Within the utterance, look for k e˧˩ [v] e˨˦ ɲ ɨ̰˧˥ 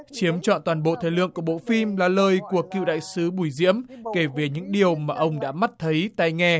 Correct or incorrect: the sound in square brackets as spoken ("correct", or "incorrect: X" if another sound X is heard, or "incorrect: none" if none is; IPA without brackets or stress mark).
correct